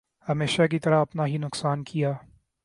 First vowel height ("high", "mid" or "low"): low